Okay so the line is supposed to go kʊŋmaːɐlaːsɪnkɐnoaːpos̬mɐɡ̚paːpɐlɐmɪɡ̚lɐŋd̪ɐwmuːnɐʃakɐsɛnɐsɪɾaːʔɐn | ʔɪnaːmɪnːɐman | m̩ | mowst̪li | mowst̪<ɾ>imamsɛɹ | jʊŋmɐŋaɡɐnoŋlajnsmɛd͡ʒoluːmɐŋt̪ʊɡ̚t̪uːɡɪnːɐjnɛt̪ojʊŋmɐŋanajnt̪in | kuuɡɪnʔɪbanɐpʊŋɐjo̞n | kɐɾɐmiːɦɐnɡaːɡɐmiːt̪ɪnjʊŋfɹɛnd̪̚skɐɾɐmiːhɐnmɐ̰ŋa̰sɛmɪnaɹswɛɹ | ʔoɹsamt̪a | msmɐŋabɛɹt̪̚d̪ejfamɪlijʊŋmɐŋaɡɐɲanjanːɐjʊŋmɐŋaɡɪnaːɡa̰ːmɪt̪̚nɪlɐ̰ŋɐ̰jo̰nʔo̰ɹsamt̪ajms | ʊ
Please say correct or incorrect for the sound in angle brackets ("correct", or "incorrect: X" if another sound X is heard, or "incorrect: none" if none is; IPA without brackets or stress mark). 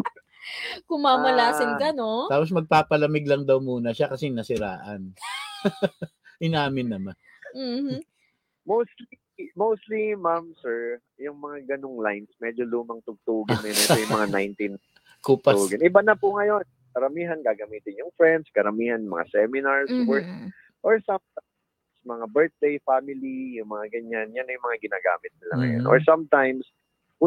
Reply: incorrect: l